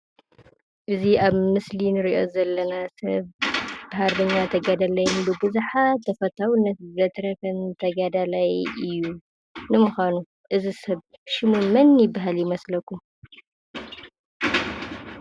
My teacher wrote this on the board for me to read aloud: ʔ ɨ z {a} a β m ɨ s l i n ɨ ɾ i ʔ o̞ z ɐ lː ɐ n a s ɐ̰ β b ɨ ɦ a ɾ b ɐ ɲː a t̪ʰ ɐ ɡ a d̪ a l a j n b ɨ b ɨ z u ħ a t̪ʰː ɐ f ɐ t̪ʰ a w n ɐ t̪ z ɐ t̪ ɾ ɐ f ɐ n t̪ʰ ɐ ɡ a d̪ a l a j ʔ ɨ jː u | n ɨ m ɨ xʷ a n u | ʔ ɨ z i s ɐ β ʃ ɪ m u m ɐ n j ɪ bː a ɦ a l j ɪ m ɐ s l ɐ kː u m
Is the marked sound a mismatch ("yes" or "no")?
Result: yes